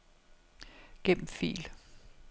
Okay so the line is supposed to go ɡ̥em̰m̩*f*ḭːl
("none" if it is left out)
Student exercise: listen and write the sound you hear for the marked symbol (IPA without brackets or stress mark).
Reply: f